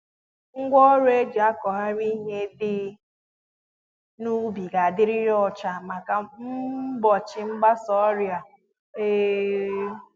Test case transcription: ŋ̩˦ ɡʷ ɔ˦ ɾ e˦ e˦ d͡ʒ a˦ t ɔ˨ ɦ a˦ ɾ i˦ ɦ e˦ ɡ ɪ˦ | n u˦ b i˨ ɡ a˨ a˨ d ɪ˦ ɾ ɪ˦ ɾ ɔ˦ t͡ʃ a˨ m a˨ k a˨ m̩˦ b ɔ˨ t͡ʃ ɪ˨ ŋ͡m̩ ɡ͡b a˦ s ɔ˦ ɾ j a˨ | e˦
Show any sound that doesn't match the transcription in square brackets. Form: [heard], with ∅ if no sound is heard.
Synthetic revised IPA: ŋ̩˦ ɡʷ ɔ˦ ɾ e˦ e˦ d͡ʒ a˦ [k] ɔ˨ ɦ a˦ ɾ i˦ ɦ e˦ [d] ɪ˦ | n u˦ b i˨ ɡ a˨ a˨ d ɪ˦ ɾ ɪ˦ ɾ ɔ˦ t͡ʃ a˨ m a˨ k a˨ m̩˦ b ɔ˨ t͡ʃ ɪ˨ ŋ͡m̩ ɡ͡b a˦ s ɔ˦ ɾ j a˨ | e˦

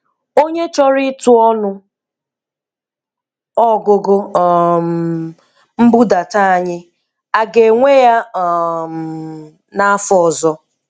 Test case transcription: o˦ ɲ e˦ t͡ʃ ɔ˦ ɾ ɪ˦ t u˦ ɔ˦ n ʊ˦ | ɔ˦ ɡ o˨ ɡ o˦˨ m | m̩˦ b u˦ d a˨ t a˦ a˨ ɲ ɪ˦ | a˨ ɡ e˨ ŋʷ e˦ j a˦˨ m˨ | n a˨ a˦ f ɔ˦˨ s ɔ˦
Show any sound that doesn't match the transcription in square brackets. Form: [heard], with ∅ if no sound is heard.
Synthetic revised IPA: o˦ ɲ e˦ t͡ʃ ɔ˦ ɾ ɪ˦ t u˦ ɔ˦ n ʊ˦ | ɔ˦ ɡ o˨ ɡ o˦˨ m | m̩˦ b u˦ d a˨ t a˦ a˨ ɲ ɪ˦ | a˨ ɡ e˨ ŋʷ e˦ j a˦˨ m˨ | n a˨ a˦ f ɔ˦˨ [z] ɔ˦

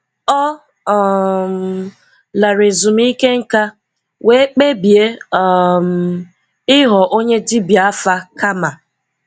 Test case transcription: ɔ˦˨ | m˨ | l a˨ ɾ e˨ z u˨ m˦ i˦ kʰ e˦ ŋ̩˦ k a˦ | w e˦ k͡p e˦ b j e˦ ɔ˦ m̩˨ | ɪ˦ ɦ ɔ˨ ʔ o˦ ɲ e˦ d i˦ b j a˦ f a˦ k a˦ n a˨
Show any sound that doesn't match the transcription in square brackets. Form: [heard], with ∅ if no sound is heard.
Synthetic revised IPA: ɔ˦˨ | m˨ | l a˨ ɾ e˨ z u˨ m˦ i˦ [k] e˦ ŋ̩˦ k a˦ | w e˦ k͡p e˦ b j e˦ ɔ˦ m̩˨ | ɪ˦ ɦ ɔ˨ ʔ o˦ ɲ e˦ d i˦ b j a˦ f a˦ k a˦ [m] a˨

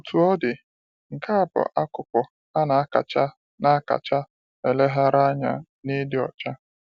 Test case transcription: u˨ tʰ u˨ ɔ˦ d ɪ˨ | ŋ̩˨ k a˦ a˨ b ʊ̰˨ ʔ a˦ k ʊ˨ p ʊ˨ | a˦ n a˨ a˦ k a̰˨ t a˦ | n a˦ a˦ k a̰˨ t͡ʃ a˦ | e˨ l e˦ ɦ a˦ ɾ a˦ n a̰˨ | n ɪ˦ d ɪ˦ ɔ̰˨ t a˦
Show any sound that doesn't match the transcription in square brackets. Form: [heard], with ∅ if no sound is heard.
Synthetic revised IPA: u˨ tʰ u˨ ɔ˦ d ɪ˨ | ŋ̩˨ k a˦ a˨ b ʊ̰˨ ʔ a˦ k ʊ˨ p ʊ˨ | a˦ n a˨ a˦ k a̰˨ [t͡ʃ] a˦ | n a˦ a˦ k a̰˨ t͡ʃ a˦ | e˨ l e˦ ɦ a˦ ɾ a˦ [ɲ] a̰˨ | n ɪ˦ d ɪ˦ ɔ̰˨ [t͡ʃ] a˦

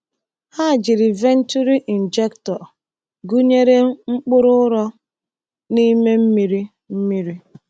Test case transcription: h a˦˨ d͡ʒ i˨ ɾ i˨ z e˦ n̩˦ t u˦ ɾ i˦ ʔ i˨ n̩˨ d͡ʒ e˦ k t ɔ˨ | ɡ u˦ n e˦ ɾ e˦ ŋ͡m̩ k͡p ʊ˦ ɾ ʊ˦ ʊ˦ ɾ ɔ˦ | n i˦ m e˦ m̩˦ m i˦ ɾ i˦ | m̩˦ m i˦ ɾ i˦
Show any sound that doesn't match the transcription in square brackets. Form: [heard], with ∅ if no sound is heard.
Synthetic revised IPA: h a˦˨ d͡ʒ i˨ ɾ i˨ [v] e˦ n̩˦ t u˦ ɾ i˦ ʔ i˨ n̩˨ d͡ʒ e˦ k t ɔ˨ | ɡ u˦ [ɲ] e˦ ɾ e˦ ŋ͡m̩ k͡p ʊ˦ ɾ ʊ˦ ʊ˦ ɾ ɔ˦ | n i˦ m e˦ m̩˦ m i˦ ɾ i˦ | m̩˦ m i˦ ɾ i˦

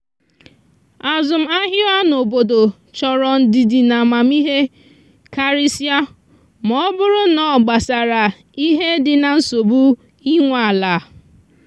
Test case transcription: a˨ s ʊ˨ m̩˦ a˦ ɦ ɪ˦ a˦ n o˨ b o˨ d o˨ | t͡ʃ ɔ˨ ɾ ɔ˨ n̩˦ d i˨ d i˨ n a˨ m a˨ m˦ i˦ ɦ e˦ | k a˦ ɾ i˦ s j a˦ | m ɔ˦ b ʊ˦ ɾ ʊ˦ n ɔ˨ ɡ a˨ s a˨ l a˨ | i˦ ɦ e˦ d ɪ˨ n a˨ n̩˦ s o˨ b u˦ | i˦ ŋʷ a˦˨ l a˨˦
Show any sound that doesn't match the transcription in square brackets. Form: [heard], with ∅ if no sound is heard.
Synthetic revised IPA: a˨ [z] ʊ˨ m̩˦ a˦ ɦ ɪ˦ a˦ n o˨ b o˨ d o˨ | t͡ʃ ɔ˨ ɾ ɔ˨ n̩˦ d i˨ d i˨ n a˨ m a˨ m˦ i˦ ɦ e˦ | k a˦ ɾ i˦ s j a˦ | m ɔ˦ b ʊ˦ ɾ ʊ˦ n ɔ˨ [ɡ͡b] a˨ s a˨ [ɾ] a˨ | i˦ ɦ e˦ d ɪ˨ n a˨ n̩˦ s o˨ b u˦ | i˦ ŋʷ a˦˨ l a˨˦

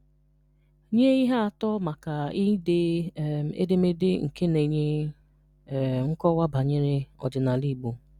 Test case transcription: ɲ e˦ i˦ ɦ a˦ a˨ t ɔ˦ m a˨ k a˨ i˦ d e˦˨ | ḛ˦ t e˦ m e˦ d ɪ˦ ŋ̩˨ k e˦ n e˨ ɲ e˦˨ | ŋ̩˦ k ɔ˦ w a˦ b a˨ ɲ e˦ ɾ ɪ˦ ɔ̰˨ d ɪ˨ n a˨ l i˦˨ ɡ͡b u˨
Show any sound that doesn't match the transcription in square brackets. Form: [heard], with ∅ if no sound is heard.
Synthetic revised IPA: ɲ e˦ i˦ ɦ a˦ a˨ t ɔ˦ m a˨ k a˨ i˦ d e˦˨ | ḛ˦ [d] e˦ m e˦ d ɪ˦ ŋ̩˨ k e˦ n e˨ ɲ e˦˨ | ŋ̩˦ k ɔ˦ w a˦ b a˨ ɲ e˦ ɾ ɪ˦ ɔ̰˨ [d͡ʒ] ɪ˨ n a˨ l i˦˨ ɡ͡b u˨

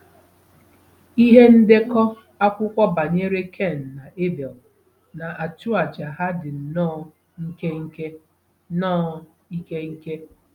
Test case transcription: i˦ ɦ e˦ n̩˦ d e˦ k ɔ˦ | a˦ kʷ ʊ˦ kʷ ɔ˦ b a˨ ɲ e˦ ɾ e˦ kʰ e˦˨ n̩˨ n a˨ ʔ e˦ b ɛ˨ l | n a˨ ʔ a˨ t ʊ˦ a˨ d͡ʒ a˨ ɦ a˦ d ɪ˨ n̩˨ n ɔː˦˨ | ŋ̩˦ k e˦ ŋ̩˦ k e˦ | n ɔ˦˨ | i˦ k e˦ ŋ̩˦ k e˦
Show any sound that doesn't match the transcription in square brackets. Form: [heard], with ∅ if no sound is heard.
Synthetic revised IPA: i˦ ɦ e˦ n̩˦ d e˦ k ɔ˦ | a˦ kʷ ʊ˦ kʷ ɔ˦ b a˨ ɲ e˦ ɾ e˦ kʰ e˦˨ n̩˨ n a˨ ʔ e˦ b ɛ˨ l | n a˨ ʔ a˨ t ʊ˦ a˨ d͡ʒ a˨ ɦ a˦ d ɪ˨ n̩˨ n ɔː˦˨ | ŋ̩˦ k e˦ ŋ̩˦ k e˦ | n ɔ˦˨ | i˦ k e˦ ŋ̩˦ k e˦

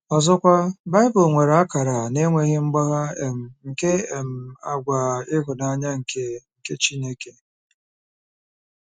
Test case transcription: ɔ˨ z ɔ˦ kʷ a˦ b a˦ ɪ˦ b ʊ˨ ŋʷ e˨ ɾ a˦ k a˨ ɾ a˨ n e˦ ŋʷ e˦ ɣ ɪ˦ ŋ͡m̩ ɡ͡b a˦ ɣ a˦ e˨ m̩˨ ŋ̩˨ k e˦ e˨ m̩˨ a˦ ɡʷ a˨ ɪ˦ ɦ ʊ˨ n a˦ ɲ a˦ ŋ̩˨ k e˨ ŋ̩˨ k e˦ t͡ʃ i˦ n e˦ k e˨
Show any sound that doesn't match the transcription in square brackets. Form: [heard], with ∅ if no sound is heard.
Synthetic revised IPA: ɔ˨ z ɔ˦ kʷ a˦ b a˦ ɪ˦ b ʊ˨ ŋʷ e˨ ɾ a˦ k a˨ ɾ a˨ n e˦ ŋʷ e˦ ɣ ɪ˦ ŋ͡m̩ ɡ͡b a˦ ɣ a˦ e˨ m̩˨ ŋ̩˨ k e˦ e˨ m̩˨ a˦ ɡʷ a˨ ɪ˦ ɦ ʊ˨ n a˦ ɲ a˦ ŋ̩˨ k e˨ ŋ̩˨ k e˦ t͡ʃ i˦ n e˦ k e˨

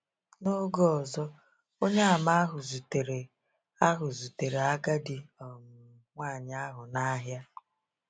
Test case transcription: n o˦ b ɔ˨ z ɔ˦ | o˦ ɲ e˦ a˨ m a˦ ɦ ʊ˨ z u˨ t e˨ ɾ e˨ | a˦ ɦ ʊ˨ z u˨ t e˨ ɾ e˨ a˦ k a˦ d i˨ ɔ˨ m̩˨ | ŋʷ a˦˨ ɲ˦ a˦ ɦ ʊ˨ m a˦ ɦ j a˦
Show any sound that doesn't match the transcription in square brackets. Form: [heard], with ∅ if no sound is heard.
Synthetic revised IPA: n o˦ [ɡ] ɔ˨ z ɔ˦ | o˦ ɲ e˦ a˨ m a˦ ɦ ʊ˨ z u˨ t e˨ ɾ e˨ | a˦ ɦ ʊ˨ z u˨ t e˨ ɾ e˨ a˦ [ɡ] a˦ d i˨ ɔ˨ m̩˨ | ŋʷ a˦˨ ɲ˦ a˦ ɦ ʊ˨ [n] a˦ ɦ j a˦

